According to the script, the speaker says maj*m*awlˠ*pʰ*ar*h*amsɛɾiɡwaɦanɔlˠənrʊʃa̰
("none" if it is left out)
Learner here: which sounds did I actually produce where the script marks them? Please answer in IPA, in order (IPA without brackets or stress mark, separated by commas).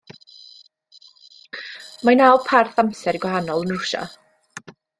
n, pʰ, θ